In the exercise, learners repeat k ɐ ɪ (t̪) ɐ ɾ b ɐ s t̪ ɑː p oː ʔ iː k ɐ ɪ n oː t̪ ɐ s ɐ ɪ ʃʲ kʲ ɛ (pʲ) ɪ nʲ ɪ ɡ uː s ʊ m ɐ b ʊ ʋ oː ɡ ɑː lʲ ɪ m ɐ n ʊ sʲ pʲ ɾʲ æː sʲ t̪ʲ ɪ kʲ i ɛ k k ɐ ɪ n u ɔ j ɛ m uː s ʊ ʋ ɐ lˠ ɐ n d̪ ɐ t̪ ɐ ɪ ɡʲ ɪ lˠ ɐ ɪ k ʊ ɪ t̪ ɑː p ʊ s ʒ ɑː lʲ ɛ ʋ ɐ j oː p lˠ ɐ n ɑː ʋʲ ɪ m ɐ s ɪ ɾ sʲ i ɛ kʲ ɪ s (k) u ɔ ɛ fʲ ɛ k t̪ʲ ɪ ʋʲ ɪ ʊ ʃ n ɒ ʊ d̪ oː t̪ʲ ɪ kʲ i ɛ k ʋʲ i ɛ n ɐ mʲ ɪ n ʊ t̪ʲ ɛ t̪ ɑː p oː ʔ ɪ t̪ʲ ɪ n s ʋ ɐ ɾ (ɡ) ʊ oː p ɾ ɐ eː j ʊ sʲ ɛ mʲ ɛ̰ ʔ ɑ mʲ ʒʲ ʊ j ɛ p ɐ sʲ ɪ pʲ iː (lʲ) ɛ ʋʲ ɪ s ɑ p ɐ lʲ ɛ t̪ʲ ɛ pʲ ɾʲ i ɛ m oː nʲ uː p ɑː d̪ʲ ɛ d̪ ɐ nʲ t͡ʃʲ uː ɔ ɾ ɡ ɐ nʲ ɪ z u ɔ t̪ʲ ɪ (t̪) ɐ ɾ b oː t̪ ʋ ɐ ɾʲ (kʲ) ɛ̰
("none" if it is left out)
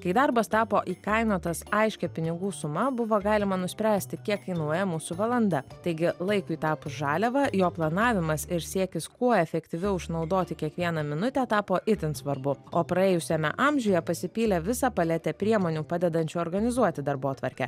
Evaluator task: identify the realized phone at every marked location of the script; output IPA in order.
d̪, pʲ, k, b, lʲ, d̪, kʲ

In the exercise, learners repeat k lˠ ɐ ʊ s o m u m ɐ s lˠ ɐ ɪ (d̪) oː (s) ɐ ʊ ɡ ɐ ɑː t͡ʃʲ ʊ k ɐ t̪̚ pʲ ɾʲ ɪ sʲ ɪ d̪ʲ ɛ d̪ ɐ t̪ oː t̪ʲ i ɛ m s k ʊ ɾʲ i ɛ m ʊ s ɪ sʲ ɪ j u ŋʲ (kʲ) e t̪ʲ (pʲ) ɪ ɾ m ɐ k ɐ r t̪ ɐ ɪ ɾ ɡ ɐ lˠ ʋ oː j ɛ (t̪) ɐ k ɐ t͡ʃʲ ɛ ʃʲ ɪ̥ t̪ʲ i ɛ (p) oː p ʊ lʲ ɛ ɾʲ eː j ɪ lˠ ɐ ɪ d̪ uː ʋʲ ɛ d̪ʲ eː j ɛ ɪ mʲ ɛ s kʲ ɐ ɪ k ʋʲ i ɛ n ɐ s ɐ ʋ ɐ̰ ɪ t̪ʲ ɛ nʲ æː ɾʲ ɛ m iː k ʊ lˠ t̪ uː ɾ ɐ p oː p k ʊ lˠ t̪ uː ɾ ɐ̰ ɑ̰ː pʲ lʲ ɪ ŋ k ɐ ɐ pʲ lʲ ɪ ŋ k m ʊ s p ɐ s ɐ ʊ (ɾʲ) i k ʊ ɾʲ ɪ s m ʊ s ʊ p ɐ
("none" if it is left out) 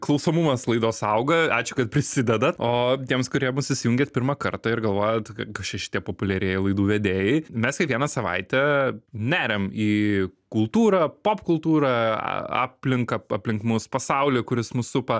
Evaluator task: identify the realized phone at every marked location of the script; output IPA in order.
d̪, s, ɡʲ, pʲ, t̪, p, lʲ

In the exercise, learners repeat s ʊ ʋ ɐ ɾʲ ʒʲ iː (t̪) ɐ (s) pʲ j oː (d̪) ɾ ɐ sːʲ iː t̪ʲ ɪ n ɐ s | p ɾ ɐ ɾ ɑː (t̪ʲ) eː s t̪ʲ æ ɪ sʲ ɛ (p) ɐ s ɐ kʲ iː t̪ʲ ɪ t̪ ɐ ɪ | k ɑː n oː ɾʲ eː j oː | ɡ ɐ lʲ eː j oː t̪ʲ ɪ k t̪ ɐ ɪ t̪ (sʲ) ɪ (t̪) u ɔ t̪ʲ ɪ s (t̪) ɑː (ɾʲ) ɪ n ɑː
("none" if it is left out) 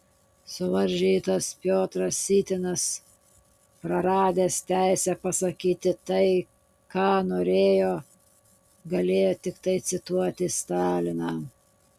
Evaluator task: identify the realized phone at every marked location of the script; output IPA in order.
t̪, s, t̪, d̪ʲ, p, sʲ, t̪, t̪, lʲ

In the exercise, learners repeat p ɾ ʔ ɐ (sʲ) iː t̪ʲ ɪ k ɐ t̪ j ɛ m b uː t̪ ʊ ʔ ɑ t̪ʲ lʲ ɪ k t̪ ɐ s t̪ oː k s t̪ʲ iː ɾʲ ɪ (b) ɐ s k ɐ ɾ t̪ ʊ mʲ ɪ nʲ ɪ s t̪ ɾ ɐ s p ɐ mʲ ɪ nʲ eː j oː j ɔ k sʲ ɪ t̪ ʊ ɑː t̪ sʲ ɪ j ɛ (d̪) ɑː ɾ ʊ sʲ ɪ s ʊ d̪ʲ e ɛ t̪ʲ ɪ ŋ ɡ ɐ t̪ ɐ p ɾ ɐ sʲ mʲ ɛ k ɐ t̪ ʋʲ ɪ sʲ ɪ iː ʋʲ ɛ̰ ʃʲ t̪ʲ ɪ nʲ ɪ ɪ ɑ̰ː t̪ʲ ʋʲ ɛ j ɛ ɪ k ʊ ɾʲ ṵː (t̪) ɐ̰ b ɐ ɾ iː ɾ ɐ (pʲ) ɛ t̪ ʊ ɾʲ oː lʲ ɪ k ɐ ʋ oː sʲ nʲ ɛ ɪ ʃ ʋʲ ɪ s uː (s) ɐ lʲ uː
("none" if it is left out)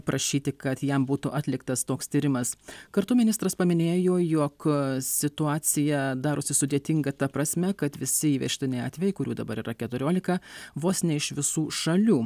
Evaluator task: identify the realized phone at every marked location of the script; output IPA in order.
ʃʲ, m, d̪, d̪, kʲ, ʃ

